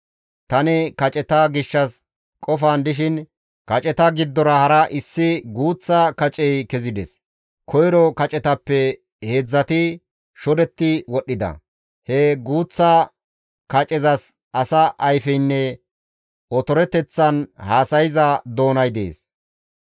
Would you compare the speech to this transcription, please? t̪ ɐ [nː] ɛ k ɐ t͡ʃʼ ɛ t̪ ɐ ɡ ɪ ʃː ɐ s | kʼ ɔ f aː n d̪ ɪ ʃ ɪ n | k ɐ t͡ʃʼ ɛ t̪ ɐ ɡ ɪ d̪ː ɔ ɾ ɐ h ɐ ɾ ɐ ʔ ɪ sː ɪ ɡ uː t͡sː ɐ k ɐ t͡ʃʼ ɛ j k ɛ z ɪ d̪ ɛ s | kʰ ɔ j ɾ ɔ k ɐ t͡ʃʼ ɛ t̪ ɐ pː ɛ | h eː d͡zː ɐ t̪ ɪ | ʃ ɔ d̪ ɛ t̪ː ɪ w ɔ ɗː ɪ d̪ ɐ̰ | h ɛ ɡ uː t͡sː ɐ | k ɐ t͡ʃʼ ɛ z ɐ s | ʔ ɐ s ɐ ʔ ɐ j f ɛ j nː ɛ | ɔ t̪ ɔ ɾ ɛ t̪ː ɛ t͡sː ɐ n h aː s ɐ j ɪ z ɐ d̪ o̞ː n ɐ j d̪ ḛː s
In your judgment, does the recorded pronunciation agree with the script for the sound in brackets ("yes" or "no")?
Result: no